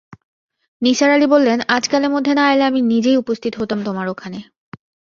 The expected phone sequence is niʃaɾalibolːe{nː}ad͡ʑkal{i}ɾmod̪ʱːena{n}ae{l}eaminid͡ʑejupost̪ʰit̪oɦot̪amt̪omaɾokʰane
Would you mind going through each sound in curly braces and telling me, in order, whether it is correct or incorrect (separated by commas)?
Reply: incorrect, incorrect, incorrect, correct